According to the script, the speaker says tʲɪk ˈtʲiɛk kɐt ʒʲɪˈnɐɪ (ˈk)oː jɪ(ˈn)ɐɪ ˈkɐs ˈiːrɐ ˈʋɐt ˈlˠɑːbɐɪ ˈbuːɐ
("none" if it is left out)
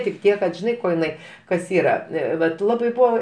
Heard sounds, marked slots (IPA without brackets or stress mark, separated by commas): k, n